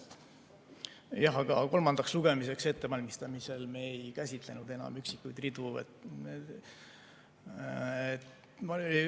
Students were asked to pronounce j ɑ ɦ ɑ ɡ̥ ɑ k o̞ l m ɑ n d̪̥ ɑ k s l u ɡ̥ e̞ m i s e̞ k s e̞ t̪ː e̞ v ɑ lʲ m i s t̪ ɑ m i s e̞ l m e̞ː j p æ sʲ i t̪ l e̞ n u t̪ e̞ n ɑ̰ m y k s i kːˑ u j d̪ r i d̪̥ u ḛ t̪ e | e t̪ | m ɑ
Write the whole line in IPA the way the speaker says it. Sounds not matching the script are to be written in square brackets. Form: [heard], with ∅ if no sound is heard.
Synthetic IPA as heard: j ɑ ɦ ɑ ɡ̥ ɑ k o̞ l m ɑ n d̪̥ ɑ k s l u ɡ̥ e̞ m i s e̞ k s e̞ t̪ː e̞ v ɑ lʲ m i s t̪ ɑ m i s e̞ l m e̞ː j [k] æ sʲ i t̪ l e̞ n u [d̪] e̞ n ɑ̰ m y k s i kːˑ u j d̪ r i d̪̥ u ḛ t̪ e | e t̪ | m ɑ